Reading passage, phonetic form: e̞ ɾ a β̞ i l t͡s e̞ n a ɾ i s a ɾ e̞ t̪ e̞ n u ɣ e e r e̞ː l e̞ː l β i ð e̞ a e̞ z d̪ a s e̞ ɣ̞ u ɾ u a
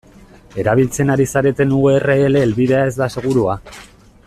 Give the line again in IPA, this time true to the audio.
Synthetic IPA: e̞ ɾ a β̞ i l t͡s e̞ n a ɾ i s a ɾ e̞ t̪ e̞ n u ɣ e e r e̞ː l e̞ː l β i ð e̞ a e̞ z d̪ a s e̞ ɣ̞ u ɾ u a